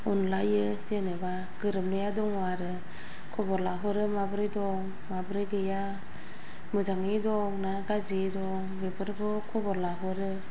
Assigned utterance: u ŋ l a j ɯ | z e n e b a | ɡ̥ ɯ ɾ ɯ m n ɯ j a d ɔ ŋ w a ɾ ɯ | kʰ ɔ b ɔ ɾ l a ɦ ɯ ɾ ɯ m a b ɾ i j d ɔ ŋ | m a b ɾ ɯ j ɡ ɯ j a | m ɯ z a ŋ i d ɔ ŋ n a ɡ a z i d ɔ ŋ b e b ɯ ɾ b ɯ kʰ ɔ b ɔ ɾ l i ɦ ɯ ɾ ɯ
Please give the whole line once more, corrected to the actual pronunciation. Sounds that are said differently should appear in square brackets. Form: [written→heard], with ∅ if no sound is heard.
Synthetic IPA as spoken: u [ŋ→n] l a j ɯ | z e n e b a | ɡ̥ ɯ ɾ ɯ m n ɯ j a d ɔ ŋ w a ɾ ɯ | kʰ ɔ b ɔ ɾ l a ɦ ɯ ɾ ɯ m a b ɾ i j d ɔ ŋ | m a b ɾ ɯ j ɡ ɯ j a | m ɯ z a ŋ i d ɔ ŋ n a ɡ a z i d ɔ ŋ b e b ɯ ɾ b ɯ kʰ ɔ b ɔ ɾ l [i→a] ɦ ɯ ɾ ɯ